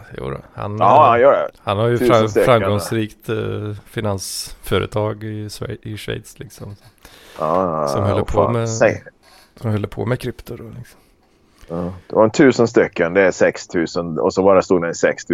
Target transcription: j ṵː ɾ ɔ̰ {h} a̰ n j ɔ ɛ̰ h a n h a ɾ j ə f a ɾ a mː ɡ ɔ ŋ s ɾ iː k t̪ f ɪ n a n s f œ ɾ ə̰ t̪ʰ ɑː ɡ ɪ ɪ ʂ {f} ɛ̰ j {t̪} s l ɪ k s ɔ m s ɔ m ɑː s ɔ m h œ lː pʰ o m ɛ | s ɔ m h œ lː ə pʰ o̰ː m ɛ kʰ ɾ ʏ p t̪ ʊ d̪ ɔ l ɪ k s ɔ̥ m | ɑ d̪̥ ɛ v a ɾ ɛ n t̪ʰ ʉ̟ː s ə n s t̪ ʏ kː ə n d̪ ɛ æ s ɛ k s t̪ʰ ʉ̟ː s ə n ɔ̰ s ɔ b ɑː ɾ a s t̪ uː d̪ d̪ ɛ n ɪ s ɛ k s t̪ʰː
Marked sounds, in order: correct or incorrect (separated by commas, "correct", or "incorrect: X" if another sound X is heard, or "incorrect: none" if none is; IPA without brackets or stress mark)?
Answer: correct, incorrect: v, correct